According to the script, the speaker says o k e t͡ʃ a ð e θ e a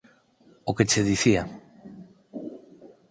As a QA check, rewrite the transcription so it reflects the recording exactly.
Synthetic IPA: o k e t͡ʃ e ð i θ i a